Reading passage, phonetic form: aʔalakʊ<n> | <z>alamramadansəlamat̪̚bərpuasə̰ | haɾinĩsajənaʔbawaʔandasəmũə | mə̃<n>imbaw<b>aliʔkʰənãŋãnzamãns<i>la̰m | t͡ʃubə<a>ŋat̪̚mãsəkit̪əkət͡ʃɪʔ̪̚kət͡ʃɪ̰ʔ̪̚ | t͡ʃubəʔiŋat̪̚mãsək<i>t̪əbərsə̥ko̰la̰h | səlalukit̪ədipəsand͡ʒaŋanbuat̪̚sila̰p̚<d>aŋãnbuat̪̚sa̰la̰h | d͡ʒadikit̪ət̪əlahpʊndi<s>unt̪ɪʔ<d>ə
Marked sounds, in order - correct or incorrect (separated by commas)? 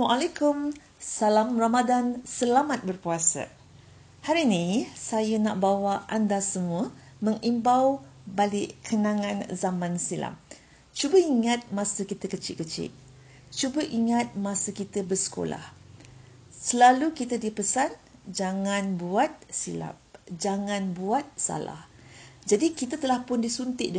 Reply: incorrect, incorrect, incorrect, correct, correct, incorrect, correct, incorrect, correct, correct